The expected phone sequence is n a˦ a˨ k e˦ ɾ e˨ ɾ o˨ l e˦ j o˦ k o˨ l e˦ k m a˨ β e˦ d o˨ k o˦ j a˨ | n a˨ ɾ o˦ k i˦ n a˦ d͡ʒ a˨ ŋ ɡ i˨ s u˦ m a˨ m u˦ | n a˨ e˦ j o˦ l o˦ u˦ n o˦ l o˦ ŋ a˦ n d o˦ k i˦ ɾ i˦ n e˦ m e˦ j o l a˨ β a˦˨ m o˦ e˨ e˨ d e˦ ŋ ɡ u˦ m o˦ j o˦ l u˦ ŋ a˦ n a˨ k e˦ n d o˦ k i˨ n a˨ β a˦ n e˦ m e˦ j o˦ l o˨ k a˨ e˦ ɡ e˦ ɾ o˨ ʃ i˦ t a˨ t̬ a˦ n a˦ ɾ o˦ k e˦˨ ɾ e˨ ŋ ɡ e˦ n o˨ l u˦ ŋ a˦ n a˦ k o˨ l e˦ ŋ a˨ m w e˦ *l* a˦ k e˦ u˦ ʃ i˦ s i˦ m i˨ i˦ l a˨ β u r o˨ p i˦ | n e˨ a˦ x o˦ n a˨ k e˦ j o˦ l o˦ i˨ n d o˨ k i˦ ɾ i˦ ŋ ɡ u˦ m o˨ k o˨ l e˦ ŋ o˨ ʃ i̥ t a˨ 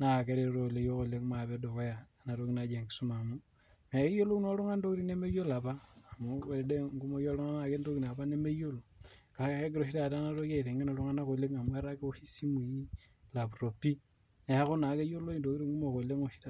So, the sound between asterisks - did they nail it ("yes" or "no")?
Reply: no